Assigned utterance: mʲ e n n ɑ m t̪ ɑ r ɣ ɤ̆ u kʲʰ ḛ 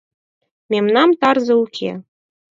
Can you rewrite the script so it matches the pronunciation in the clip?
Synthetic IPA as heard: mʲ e m n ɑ m t̪ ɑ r z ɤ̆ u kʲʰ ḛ

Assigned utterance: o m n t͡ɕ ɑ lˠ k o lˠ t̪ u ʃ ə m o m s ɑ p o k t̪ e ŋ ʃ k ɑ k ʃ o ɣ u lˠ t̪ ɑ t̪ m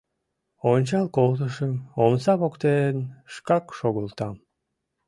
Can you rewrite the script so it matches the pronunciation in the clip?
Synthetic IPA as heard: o n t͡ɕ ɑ lˠ k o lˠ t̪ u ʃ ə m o m s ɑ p o k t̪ e n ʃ k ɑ k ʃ o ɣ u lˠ t̪ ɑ m

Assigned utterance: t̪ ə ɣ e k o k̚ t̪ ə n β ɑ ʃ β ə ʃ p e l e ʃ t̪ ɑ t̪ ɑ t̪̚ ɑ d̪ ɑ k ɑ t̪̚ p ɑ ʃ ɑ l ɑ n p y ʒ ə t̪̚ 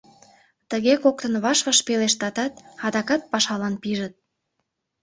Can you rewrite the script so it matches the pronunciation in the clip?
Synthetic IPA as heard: t̪ ə ɣ e k o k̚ t̪ ə n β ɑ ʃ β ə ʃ p e l e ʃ t̪ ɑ t̪ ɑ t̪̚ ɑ d̪ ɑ k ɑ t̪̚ p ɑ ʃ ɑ l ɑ n p i ʒ ə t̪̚

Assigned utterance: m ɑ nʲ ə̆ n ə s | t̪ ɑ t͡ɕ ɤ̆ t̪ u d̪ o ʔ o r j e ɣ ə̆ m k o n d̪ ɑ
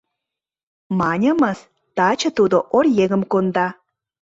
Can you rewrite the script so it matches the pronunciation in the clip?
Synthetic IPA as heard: m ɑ nʲ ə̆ m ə s | t̪ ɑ t͡ɕ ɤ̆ t̪ u d̪ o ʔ o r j e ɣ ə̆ m k o n d̪ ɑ

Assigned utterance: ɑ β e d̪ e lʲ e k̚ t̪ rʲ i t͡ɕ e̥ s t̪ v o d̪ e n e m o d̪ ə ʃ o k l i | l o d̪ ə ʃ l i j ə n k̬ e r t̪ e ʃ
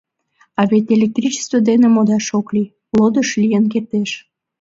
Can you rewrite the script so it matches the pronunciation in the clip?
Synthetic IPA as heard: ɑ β e t̪ e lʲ e k̚ t̪ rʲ i t͡ɕ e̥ s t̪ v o d̪ e n e m o d̪ ɑ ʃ o k l i | l o d̪ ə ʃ l i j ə n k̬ e r t̪ e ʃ

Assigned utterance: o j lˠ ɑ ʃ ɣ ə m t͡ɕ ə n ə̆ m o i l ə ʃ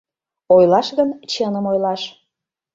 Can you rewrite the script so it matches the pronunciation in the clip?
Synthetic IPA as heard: o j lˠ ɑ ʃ ɣ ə n t͡ɕ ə n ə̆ m o j l ɑ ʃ

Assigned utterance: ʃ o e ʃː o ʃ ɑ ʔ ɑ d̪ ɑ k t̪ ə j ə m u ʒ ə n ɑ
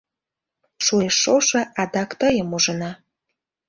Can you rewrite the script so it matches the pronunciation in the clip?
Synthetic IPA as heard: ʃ u e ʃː o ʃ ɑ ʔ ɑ d̪ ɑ k t̪ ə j ə m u ʒ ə n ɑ

